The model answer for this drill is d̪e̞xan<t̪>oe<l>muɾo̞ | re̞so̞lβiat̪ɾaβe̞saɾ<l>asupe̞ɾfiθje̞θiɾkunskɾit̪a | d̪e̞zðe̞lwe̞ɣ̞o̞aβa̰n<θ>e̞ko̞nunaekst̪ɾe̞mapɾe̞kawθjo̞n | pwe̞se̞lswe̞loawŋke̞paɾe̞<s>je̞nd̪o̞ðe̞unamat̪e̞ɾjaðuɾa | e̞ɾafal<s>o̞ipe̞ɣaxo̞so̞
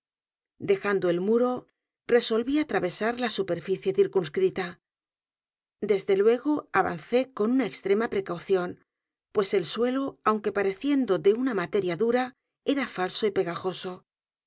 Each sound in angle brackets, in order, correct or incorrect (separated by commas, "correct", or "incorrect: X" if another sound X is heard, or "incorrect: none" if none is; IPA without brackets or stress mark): incorrect: d̪, correct, correct, correct, incorrect: θ, correct